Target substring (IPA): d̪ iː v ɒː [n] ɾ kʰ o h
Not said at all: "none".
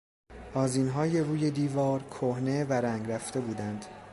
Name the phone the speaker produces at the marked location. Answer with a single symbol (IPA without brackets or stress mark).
none